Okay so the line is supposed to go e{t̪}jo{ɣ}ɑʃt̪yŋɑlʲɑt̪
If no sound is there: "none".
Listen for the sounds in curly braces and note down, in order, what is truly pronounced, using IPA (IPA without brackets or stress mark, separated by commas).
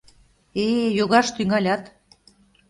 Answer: none, ɣ